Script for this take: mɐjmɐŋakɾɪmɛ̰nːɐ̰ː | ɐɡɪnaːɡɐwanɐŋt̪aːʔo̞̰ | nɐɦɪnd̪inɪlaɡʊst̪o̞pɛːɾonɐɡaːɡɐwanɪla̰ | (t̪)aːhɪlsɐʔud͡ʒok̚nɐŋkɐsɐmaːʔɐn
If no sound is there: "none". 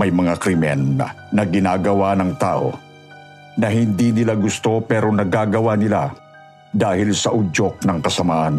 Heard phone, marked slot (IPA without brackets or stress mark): d̪